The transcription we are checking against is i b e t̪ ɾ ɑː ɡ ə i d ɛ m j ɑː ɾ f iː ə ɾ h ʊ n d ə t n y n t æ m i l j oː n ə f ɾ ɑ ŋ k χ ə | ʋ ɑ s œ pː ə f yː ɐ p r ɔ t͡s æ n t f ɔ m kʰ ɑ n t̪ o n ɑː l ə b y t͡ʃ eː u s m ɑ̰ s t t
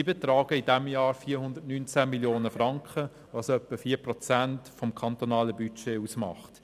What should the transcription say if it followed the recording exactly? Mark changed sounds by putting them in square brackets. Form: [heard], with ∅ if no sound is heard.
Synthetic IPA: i b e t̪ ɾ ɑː ɡ ə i d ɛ m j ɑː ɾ f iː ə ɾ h ʊ n d ə t n y n [t͡s] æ m i l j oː n ə f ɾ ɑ ŋ k χ ə | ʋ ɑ s œ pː ə f [iː] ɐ p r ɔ t͡s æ n t f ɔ m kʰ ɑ n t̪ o n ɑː l ə b y t͡ʃ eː u s m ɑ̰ [χ] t t